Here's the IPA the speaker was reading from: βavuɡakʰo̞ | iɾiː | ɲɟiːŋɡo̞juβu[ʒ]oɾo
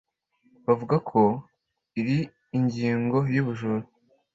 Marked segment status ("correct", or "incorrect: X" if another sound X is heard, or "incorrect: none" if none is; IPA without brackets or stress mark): correct